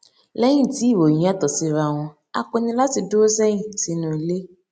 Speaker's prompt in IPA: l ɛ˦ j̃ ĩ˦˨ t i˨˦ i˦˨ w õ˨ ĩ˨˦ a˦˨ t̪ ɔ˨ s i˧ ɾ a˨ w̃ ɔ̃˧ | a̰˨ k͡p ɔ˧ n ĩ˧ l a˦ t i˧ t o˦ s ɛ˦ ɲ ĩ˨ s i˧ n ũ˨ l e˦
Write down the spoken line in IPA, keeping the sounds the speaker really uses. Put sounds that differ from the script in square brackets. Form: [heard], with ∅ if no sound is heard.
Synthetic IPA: l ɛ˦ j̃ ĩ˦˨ t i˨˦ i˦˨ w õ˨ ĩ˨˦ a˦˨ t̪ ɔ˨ s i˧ ɾ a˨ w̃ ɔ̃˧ | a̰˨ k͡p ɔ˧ n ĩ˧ l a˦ t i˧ [d] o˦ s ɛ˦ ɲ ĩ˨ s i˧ n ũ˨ l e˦